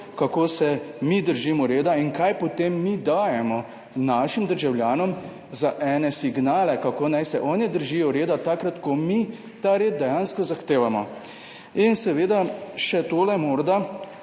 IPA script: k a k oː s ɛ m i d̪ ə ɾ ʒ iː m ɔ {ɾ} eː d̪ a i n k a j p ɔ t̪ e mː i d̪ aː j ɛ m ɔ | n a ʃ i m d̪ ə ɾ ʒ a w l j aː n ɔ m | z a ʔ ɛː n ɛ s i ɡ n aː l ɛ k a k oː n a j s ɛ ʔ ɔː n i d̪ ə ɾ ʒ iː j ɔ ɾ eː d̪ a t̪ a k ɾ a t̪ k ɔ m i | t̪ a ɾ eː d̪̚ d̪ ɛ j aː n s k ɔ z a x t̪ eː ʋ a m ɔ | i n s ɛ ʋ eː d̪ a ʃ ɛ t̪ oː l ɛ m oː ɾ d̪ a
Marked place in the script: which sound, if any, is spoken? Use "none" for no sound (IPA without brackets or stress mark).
ɾ